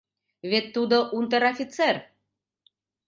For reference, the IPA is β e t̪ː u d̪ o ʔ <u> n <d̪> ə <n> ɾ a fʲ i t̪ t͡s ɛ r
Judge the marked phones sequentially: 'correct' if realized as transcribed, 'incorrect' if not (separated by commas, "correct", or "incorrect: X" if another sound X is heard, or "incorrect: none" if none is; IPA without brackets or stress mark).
correct, incorrect: t̪, incorrect: none